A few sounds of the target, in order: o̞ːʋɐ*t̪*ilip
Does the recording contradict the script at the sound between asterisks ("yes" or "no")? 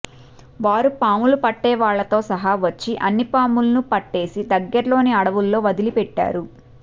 yes